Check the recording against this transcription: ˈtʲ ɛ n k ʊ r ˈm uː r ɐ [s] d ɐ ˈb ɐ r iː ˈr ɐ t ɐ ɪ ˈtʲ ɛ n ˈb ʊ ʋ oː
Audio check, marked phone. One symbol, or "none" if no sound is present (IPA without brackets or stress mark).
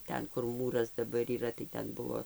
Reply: s